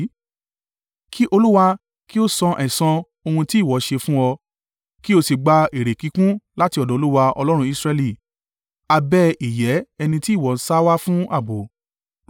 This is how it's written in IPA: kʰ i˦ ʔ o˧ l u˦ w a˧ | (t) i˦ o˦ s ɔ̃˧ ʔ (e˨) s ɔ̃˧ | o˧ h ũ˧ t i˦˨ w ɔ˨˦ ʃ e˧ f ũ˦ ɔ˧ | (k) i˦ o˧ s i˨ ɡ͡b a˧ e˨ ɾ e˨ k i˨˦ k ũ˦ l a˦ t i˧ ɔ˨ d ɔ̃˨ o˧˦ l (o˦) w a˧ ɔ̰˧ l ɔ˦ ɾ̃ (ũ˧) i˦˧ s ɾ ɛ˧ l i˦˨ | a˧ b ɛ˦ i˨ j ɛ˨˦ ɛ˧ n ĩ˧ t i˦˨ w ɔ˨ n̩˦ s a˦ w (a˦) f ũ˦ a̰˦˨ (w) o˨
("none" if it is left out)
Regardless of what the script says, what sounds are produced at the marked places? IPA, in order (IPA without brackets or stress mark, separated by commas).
k, ɛ˨, k, u˦, ũ˧, a˦, b